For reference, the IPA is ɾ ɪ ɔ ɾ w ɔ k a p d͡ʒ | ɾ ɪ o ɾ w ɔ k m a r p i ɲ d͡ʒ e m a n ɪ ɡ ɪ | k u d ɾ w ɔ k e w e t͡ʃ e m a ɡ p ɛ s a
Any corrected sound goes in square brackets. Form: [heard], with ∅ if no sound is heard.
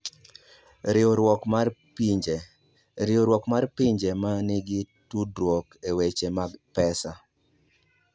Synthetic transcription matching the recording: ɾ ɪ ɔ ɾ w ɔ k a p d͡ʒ | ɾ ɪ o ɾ w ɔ k m a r p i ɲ d͡ʒ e m a n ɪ ɡ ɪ | [t] u d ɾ w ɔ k e w e t͡ʃ e m a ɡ p ɛ s a